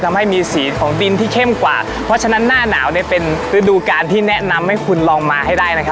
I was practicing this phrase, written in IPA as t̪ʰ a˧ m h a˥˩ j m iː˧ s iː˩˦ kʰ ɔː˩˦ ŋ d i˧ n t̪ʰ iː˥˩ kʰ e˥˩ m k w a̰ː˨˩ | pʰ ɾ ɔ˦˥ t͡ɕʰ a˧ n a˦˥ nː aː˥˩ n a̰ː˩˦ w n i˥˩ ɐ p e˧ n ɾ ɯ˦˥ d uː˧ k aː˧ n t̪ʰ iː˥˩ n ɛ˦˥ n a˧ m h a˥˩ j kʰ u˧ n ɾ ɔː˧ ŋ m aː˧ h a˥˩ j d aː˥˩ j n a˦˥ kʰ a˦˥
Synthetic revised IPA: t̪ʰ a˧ m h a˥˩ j m iː˧ s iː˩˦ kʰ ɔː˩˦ ŋ d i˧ n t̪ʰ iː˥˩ kʰ e˥˩ m k w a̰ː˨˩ | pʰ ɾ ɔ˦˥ t͡ɕʰ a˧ n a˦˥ nː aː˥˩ n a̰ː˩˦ w n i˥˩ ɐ p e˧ n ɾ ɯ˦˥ d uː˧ k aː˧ n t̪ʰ iː˥˩ n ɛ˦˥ n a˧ m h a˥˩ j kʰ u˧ n l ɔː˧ ŋ m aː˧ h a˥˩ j d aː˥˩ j n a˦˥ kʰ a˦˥